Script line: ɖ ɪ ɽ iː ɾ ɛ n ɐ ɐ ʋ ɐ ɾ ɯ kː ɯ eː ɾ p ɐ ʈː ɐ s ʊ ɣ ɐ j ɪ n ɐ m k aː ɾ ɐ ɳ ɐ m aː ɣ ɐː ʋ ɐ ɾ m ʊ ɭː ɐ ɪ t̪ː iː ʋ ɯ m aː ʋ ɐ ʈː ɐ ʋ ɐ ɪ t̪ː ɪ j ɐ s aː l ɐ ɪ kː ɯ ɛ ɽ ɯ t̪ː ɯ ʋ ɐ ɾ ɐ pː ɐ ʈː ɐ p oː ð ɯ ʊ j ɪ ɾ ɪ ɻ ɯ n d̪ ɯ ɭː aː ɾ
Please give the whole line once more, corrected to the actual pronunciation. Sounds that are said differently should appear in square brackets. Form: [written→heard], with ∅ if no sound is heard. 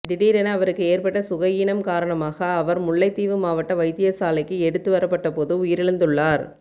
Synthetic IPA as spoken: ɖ ɪ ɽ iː ɾ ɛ n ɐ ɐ ʋ ɐ ɾ ɯ kː ɯ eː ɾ p ɐ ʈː ɐ s ʊ ɣ ɐ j ɪ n ɐ m k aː ɾ ɐ ɳ ɐ m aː ɣ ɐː ʋ ɐ ɾ m ʊ ɭː ɐ ɪ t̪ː iː ʋ ɯ m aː ʋ ɐ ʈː ɐ ʋ ɐ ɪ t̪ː ɪ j ɐ s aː l ɐ ɪ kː ɯ ɛ ɽ ɯ t̪ː ɯ ʋ ɐ ɾ ɐ pː ɐ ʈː ɐ p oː ð ɯ ʊ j ɪ ɾ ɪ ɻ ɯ n d̪ ɯ ɭː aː ɾ